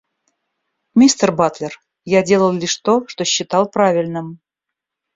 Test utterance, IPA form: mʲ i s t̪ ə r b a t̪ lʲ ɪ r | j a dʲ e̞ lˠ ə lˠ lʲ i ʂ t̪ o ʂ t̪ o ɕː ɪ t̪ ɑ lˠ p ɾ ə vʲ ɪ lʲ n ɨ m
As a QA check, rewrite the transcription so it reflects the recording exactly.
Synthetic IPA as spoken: mʲ i s t̪ ə r b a t̪ lʲ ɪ r | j a dʲ e̞ lˠ ə lˠ lʲ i ʂ t̪ o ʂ t̪ o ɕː ɪ t̪ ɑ lˠ p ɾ a vʲ ɪ lʲ n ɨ m